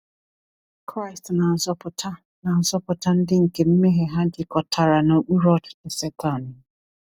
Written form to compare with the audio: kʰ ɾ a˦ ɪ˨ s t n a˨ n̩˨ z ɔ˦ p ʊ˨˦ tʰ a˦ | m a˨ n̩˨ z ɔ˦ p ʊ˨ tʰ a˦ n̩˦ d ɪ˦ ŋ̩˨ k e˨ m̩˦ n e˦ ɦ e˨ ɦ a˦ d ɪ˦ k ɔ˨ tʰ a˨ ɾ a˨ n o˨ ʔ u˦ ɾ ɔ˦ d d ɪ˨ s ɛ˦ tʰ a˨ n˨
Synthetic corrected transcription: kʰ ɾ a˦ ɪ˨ s t n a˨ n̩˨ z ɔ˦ p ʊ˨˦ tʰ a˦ | n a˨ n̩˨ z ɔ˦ p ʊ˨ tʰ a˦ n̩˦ d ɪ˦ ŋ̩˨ k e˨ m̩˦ m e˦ ɦ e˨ ɦ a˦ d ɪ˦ k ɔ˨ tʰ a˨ ɾ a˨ n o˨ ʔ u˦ ɾ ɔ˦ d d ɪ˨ s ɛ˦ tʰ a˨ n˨